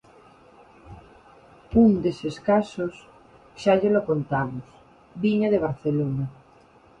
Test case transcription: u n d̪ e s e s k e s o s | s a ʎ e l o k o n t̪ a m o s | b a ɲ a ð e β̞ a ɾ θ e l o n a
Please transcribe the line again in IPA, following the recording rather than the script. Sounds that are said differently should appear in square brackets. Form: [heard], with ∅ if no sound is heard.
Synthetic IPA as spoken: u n d̪ e s e s k [a] s o s | [ʃ] a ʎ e l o k o n t̪ a m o s | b [i] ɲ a ð e β̞ a ɾ θ e l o n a